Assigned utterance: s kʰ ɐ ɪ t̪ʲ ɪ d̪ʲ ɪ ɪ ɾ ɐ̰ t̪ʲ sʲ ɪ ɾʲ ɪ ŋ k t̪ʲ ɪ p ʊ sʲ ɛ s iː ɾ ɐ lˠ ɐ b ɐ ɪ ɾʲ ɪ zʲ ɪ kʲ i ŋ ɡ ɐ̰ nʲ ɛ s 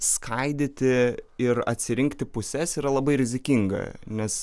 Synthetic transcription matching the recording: s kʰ ɐ ɪ d̪ʲ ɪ t̪ʲ ɪ ɪ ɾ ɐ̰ t̪ʲ sʲ ɪ ɾʲ ɪ ŋ k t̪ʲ ɪ p ʊ sʲ ɛ s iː ɾ ɐ lˠ ɐ b ɐ ɪ ɾʲ ɪ zʲ ɪ kʲ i ŋ ɡ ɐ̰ nʲ ɛ s